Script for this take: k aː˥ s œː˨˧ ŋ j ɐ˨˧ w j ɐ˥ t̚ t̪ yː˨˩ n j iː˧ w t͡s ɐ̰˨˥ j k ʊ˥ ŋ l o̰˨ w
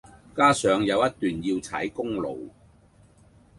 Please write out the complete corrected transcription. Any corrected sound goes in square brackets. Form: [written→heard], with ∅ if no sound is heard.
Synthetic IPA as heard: k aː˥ s œː˨˧ ŋ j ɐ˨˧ w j ɐ˥ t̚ t̪ yː˨˩ n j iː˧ w [t͡s→t͡sʰ] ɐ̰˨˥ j k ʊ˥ ŋ l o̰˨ w